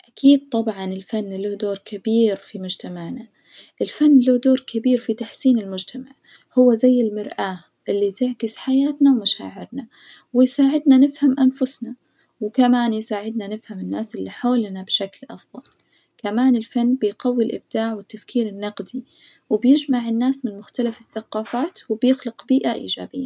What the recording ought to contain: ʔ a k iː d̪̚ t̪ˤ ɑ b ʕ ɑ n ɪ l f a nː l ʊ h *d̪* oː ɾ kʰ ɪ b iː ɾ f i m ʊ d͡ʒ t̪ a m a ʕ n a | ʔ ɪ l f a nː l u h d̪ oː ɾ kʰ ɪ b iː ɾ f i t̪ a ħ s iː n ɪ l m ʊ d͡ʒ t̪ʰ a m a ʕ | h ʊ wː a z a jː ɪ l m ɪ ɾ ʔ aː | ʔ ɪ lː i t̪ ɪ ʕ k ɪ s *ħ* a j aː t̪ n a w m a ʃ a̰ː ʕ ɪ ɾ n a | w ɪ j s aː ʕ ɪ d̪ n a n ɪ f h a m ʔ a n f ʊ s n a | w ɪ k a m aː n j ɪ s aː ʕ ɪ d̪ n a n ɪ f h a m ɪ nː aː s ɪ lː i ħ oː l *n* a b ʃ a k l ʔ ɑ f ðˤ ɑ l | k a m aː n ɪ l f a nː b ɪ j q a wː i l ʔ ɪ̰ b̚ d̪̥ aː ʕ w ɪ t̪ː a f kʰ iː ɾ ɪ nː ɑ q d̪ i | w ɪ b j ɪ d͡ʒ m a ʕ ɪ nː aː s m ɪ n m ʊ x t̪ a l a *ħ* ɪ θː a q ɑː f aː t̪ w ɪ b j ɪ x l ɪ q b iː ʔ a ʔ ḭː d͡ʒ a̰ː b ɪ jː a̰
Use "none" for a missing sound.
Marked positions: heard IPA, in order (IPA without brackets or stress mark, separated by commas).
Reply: d̪, ħ, n, f